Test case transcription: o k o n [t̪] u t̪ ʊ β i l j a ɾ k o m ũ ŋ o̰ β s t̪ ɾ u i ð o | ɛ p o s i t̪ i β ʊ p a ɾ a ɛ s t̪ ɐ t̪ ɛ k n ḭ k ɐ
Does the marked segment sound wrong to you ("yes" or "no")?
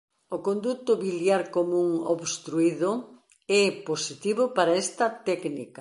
yes